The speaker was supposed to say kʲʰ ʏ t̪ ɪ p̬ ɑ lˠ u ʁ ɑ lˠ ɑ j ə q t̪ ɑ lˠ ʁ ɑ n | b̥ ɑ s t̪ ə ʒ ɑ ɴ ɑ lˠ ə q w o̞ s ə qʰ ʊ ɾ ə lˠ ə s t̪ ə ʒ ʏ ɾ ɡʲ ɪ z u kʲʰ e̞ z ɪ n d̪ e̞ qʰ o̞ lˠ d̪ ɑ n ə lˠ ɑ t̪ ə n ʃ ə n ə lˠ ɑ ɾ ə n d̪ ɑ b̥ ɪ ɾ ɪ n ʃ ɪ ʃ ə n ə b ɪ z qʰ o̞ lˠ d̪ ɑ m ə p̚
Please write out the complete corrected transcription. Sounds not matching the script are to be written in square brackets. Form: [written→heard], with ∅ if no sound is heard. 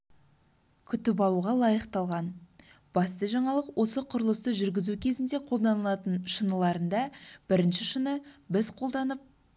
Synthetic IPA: kʲʰ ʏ t̪ ɪ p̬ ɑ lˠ u ʁ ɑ lˠ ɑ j ə q t̪ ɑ lˠ ʁ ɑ n | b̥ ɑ s t̪ ə ʒ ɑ ɴ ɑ lˠ ə q w o̞ s ə qʰ ʊ ɾ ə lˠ ə s t̪ ə ʒ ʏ ɾ ɡʲ ɪ z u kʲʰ e̞ z ɪ n d̪ e̞ qʰ o̞ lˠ d̪ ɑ n ə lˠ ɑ t̪ ə n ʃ ə n ə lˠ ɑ ɾ ə n d̪ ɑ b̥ ɪ ɾ ɪ n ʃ ɪ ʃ ə n ə b ɪ z qʰ o̞ lˠ d̪ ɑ [m→n] ə p̚